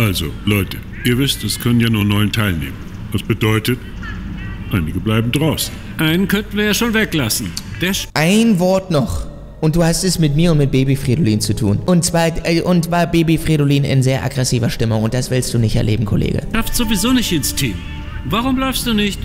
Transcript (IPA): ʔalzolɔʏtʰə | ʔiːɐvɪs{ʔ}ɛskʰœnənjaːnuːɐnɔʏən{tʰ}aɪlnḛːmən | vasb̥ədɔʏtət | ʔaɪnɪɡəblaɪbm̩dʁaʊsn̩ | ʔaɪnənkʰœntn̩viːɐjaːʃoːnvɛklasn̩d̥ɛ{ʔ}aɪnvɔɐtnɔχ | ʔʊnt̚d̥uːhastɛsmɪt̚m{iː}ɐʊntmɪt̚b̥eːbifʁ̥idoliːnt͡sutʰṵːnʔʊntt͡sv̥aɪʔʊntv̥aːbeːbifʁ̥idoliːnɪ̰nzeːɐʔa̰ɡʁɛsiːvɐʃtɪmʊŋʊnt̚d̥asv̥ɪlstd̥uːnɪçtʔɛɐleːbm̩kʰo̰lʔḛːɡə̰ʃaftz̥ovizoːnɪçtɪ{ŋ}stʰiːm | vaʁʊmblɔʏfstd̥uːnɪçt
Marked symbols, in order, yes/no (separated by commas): no, yes, yes, yes, no